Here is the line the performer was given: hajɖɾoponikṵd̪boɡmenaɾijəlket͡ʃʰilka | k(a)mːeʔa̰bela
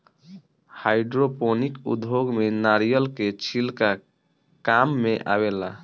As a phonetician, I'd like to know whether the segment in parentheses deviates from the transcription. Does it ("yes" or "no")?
no